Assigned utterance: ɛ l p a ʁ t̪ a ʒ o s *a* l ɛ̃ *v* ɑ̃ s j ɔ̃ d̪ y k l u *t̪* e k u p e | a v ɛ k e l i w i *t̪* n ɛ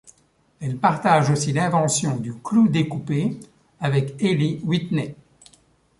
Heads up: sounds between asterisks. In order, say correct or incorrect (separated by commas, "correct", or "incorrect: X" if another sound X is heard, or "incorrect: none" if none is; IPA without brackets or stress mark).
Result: incorrect: i, correct, incorrect: d̪, correct